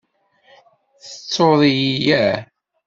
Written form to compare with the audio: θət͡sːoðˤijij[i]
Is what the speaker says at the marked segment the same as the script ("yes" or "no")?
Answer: no